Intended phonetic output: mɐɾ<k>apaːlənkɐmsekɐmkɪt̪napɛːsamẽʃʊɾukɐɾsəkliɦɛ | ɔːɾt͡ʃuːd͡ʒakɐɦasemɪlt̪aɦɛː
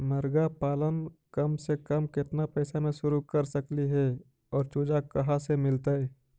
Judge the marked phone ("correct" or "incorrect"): incorrect